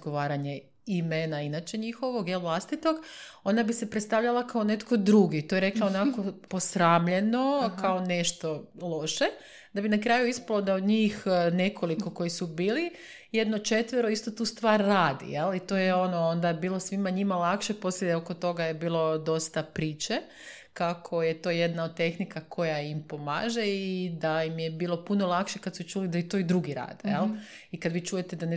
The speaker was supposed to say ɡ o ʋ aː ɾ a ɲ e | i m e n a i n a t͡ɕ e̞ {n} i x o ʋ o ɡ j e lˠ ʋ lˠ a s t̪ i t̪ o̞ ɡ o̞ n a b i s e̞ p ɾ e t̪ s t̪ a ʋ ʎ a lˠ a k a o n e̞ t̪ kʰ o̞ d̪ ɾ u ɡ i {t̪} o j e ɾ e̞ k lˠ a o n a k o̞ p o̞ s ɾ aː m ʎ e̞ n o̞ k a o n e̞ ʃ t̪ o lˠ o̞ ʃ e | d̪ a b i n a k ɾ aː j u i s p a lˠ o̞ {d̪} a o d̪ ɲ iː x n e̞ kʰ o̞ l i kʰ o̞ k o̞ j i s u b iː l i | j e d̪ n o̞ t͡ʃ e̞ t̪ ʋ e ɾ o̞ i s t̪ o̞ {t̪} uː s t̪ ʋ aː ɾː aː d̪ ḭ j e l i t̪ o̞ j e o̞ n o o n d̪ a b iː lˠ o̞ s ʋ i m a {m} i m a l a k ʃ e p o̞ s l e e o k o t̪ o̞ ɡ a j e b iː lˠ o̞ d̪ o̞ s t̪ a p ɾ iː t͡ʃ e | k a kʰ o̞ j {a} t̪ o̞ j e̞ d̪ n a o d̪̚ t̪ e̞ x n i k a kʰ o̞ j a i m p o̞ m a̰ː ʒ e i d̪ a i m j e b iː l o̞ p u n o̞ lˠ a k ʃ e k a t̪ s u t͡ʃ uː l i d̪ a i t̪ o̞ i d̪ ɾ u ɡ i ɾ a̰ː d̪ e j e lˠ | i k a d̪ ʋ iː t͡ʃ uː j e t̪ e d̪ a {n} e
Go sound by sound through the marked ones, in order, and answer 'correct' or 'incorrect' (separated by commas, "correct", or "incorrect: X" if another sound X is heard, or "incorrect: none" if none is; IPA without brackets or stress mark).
incorrect: ɲ, correct, correct, correct, incorrect: ɲ, incorrect: e, correct